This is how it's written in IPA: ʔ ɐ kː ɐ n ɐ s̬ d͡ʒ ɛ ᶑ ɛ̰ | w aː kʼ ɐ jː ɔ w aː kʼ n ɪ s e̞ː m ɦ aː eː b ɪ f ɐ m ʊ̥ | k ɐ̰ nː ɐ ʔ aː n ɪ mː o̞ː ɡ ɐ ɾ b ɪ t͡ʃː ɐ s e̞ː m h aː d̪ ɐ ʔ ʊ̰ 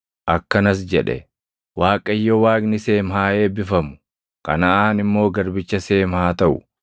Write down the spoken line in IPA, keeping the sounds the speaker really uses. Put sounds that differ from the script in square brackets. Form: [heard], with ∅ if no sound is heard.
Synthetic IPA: ʔ ɐ kː ɐ n ɐ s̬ d͡ʒ ɛ ᶑ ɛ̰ | w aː kʼ ɐ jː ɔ w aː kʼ n ɪ s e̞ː m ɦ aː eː b ɪ f ɐ m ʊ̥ | k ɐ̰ [n] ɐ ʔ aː n ɪ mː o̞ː ɡ ɐ ɾ b ɪ t͡ʃː ɐ s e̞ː m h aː [t̪] ɐ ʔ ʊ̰

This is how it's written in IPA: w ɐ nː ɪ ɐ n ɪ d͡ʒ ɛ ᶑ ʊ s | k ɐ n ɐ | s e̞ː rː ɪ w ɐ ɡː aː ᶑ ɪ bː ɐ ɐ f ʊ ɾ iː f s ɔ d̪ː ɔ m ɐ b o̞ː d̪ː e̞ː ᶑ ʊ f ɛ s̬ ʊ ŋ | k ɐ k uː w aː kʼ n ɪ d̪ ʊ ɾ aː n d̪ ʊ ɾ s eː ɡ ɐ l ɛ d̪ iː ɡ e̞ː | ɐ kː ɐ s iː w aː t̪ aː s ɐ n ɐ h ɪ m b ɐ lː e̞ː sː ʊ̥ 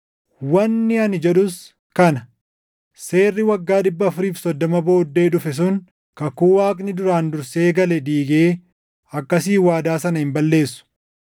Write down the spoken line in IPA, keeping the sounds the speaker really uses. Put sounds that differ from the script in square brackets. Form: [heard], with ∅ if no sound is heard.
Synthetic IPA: w ɐ nː ɪ ɐ n ɪ d͡ʒ ɛ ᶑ ʊ s | k ɐ n ɐ | s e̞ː rː ɪ w ɐ ɡː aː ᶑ ɪ bː ɐ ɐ f ʊ ɾ iː f s ɔ d̪ː ɔ m ɐ b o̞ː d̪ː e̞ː ᶑ ʊ f ɛ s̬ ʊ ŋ | k ɐ k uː w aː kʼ n ɪ d̪ ʊ ɾ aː n d̪ ʊ ɾ s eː ɡ ɐ l ɛ d̪ iː ɡ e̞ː | ɐ kː ɐ s iː w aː [d̪] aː s ɐ n ɐ h ɪ m b ɐ lː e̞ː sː ʊ̥

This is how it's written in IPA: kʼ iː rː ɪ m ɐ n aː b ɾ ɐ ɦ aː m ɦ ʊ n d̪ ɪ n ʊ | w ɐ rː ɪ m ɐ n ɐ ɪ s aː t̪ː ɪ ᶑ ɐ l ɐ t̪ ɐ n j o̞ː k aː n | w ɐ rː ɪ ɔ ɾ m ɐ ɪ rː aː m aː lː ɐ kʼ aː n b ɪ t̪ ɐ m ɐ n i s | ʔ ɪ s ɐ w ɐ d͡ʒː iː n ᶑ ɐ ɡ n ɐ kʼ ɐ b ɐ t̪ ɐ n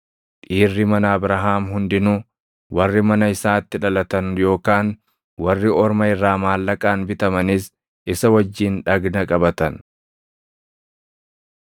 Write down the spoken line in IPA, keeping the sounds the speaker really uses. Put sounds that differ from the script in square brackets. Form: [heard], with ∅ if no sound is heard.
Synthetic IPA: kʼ iː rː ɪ m ɐ n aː b ɾ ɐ ɦ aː m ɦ ʊ n d̪ ɪ n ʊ | w ɐ rː ɪ m ɐ n ɐ ɪ s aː t̪ː ɪ ᶑ ɐ l ɐ t̪ ɐ n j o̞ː k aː n | w ɐ rː ɪ ɔ ɾ m ɐ ɪ rː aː m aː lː ɐ kʼ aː n b ɪ t̪ ɐ m ɐ n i s | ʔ ɪ s ɐ w ɐ d͡ʒː iː n ᶑ ɐ ɡ n ɐ kʼ ɐ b ɐ t̪ ɐ n

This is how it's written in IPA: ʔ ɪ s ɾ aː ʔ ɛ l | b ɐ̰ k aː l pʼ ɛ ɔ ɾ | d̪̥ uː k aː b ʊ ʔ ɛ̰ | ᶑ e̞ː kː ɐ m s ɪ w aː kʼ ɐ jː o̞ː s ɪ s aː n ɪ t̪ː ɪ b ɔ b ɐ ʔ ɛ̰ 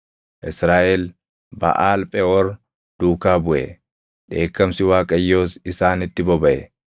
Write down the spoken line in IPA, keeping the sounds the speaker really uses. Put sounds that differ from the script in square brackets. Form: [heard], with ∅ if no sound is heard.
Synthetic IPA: ʔ ɪ s ɾ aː ʔ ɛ l | b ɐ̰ [ʔ] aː l pʼ ɛ ɔ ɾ | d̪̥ uː k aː b ʊ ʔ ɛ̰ | ᶑ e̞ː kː ɐ m s ɪ w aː kʼ ɐ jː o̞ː s ɪ s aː n ɪ t̪ː ɪ b ɔ b ɐ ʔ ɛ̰

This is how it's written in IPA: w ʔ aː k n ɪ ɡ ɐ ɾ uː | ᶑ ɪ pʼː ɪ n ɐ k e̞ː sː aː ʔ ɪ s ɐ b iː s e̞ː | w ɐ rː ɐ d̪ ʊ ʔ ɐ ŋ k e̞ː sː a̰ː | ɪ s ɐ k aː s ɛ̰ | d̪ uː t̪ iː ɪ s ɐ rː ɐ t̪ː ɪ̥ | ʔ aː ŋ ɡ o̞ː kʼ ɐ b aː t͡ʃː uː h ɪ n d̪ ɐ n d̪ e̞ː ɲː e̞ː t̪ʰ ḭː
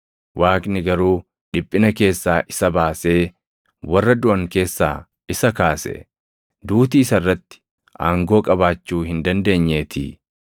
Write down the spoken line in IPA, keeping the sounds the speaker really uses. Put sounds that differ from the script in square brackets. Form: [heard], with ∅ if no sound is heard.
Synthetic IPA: w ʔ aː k n ɪ ɡ ɐ ɾ uː | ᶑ ɪ pʼː ɪ n ɐ k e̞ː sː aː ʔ ɪ s ɐ b [aː] s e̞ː | w ɐ rː ɐ d̪ ʊ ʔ ɐ ŋ k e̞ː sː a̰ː | ɪ s ɐ k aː s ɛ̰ | d̪ uː t̪ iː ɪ s ɐ rː ɐ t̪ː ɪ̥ | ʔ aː ŋ ɡ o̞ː kʼ ɐ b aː t͡ʃː uː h ɪ n d̪ ɐ n d̪ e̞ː ɲː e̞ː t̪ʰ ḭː

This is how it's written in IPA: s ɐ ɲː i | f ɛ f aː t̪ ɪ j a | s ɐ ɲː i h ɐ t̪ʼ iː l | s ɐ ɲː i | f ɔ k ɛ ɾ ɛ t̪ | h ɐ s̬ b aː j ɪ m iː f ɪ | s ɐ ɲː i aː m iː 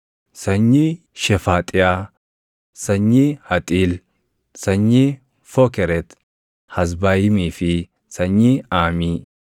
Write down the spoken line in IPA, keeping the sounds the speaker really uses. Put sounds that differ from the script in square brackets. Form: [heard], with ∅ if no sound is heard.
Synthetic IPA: s ɐ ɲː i | [ʃ] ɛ f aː [t̪ʼ] ɪ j a | s ɐ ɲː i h ɐ t̪ʼ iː l | s ɐ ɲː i | f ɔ k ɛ ɾ ɛ t̪ | h ɐ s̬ b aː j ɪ m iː f ɪ | s ɐ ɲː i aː m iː

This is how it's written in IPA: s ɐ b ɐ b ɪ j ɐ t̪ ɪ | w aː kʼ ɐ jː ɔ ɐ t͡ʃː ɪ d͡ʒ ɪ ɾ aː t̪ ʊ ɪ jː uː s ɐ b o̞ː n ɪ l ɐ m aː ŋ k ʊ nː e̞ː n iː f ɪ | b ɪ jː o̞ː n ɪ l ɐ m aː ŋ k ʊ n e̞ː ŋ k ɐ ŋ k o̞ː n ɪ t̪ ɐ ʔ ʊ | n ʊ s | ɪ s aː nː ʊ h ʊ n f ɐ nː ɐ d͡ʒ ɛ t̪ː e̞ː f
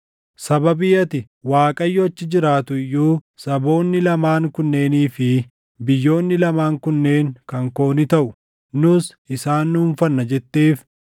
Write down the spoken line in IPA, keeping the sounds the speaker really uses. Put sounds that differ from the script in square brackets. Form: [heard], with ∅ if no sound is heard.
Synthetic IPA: s ɐ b ɐ b ɪ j ɐ t̪ ɪ | w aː kʼ ɐ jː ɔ ɐ t͡ʃː ɪ d͡ʒ ɪ ɾ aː t̪ ʊ ɪ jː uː s ɐ b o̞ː [nː] ɪ l ɐ m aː ŋ k ʊ nː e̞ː n iː f ɪ | b ɪ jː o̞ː [nː] ɪ l ɐ m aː ŋ k ʊ [nː] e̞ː ŋ k ɐ ŋ k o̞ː n ɪ t̪ ɐ ʔ ʊ | n ʊ s | ɪ s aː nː ʊ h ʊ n f ɐ nː ɐ d͡ʒ ɛ t̪ː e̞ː f

